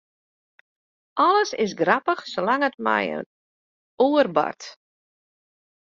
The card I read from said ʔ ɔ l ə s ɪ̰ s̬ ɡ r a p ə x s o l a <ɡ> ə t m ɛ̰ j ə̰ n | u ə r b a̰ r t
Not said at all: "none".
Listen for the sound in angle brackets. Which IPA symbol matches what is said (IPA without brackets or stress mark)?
ŋ